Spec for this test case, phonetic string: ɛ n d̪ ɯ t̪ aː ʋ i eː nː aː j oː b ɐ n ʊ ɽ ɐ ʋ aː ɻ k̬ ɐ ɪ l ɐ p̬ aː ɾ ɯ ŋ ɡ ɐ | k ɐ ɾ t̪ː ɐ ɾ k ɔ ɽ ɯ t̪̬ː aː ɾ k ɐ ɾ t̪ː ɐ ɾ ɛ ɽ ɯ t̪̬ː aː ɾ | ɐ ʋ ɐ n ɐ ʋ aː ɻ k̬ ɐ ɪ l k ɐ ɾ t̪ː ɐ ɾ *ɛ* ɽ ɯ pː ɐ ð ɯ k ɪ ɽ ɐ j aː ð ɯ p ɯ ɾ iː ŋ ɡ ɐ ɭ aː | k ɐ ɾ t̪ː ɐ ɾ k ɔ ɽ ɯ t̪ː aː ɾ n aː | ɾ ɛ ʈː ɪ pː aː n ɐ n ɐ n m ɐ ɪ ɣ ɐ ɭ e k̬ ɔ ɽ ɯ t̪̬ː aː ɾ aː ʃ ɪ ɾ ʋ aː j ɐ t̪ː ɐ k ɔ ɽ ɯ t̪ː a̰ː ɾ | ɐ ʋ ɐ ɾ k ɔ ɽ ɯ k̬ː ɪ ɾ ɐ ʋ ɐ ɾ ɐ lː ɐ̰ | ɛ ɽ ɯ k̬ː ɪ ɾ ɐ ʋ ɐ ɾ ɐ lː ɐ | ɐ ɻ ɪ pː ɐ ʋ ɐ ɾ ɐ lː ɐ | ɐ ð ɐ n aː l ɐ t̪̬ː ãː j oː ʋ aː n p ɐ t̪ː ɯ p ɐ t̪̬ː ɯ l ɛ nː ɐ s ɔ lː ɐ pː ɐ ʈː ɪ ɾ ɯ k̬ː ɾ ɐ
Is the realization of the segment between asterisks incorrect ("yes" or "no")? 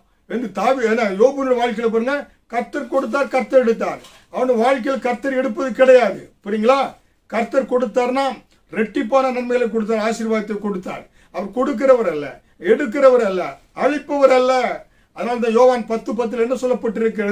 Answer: no